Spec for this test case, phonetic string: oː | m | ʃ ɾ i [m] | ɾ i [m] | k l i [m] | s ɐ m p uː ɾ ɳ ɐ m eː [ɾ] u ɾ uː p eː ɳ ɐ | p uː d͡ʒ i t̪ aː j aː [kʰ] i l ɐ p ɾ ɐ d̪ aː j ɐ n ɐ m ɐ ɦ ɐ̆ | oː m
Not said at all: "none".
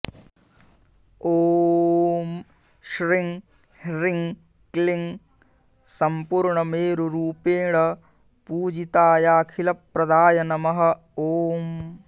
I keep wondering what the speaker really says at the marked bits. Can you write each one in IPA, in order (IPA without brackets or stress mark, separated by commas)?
ŋ, ŋ, ŋ, ɾ, kʰ